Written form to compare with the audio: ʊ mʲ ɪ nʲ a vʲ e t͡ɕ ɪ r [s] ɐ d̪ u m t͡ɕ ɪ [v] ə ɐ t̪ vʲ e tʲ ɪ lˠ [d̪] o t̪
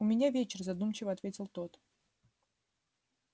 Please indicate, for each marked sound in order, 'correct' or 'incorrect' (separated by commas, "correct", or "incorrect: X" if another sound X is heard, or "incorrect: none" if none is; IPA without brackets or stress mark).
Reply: incorrect: z, correct, incorrect: t̪